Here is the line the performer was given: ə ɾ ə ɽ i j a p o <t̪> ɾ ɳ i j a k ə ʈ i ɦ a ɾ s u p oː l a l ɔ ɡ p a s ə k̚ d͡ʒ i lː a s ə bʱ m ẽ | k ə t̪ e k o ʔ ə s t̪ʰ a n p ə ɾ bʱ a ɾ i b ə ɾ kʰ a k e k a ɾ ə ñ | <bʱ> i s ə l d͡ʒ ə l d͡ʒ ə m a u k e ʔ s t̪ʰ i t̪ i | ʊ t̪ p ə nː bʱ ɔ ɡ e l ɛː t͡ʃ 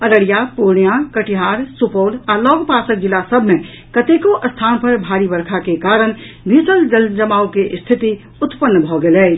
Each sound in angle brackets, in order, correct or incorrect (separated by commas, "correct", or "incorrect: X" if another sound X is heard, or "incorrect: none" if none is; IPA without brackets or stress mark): incorrect: none, correct